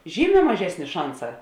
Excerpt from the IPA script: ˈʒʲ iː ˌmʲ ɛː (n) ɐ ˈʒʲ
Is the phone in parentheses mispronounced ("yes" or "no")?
yes